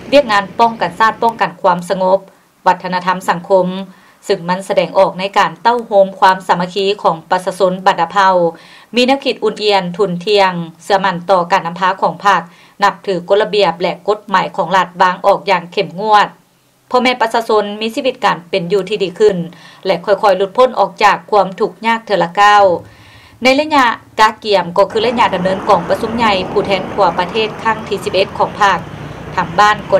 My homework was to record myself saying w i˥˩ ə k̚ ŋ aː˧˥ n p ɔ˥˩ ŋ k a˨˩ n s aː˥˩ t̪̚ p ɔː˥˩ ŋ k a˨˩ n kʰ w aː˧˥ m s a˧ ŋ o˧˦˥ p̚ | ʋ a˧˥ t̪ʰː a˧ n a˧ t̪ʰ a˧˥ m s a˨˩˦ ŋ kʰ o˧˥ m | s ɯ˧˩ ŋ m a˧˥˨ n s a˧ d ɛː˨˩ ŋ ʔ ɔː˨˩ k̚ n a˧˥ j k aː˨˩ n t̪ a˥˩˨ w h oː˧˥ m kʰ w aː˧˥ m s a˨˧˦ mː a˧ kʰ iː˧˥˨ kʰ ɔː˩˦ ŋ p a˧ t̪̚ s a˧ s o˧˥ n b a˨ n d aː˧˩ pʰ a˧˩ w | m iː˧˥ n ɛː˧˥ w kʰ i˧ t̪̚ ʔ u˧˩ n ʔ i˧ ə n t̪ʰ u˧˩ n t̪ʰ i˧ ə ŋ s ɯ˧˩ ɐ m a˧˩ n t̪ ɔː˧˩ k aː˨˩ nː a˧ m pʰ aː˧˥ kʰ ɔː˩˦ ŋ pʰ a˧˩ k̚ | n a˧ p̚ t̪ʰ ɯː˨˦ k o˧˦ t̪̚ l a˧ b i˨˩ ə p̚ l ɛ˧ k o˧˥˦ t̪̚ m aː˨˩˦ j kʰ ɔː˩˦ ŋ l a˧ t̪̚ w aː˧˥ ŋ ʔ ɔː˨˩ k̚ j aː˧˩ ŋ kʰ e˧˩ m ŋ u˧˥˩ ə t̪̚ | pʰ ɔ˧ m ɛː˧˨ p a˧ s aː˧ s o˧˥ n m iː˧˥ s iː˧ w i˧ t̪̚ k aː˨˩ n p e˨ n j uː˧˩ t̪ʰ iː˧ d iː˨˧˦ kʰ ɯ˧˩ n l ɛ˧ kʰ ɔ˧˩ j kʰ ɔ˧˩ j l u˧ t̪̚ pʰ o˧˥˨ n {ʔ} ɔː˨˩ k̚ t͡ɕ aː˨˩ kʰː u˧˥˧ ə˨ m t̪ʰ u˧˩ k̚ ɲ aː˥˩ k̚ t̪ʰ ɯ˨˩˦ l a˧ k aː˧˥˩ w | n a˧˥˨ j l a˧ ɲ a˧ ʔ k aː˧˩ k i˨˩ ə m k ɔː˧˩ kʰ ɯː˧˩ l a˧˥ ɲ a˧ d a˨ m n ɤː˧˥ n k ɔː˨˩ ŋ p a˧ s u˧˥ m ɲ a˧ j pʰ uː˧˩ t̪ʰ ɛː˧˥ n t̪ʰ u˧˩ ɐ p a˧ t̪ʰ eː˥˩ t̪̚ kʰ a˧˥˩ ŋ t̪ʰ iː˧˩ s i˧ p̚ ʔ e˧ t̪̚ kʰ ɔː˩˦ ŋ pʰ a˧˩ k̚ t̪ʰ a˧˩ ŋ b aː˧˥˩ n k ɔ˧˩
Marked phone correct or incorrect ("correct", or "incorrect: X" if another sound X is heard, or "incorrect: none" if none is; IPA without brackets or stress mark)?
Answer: correct